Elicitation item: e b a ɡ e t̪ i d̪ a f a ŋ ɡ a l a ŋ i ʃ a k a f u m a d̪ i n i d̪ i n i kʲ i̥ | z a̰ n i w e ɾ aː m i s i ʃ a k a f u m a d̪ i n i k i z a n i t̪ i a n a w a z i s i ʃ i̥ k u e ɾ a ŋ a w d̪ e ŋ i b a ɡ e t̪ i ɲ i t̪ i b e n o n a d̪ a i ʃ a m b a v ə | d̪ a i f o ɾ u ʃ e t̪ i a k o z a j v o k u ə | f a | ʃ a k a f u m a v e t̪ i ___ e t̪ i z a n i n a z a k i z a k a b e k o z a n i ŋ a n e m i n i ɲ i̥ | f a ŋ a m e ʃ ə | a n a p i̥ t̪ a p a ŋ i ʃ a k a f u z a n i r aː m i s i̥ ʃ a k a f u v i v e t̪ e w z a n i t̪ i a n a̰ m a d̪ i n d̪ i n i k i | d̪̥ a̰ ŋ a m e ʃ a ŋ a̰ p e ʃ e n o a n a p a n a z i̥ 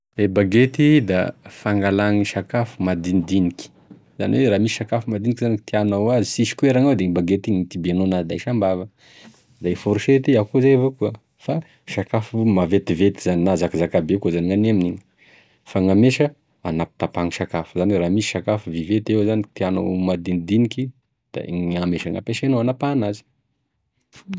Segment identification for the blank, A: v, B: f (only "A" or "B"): A